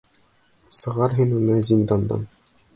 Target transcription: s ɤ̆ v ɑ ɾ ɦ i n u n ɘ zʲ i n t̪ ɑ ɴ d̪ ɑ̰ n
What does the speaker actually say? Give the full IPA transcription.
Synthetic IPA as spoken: s ɤ̆ ʁ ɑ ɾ ɦ i n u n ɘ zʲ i n d̪ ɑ n d̪ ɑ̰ n